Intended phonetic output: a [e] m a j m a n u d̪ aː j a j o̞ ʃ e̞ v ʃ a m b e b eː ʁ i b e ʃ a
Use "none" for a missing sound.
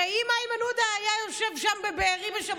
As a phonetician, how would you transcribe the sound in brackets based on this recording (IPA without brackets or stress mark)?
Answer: i